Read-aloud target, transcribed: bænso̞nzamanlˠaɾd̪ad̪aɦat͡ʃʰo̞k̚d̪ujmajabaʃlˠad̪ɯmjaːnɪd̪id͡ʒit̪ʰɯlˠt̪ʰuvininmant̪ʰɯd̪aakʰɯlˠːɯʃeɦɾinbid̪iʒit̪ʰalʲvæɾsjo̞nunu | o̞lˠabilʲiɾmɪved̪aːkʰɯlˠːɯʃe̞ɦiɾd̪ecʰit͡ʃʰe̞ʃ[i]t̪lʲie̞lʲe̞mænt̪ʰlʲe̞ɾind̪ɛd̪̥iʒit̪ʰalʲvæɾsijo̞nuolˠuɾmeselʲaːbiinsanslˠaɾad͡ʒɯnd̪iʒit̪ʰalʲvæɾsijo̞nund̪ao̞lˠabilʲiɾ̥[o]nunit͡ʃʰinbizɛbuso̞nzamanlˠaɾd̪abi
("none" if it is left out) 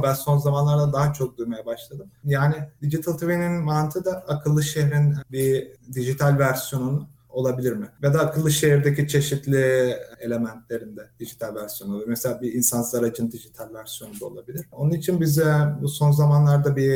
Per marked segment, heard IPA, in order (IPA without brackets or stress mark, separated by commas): i, o